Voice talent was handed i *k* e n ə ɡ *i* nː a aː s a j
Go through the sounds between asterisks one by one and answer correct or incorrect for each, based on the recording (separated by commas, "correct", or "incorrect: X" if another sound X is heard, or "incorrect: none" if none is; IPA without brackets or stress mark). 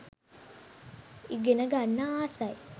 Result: incorrect: ɡ, incorrect: a